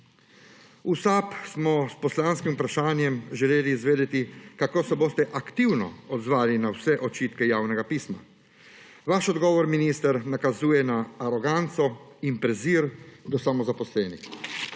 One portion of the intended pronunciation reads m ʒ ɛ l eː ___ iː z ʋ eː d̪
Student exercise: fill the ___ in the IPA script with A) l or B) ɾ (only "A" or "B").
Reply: A